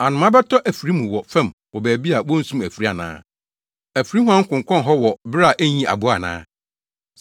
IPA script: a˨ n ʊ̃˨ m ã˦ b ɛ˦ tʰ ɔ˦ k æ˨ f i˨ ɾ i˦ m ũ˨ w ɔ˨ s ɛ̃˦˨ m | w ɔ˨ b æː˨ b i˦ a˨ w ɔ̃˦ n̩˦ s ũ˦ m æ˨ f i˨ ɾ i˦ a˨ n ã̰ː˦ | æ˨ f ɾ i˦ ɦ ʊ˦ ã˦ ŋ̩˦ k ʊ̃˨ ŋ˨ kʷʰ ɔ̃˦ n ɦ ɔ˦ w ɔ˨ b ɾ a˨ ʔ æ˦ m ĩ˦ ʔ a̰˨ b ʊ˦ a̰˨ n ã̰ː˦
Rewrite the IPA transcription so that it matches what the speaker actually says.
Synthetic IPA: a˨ n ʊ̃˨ m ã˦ b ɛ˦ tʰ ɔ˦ ʔ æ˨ f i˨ ɾ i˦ m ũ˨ w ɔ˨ f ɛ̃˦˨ m | w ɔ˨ b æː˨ b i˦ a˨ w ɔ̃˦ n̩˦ s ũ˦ m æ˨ f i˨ ɾ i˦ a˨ n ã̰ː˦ | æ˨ f ɾ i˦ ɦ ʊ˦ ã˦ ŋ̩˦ k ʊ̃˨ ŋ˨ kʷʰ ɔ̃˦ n ɦ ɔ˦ w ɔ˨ b ɾ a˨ ʔ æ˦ ɲ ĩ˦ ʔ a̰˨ b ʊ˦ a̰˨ n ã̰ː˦